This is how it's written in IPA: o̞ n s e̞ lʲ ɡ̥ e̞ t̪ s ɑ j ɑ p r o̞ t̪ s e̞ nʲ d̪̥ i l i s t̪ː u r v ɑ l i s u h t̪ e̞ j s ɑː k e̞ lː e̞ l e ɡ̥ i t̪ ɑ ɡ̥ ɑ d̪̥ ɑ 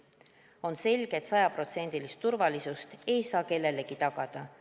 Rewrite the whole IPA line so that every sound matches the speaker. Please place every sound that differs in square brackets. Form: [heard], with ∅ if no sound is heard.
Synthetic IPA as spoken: o̞ n s e̞ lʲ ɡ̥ e̞ t̪ s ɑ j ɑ p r o̞ t̪ s e̞ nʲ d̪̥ i l i s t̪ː u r v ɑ l i s u [s] t̪ e̞ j s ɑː k e̞ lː e̞ l e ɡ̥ i t̪ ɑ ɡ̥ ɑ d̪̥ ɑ